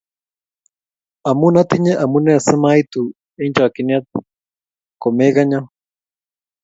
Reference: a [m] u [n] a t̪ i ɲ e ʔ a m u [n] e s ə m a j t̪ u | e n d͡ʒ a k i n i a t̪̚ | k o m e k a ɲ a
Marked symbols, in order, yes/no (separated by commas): yes, yes, yes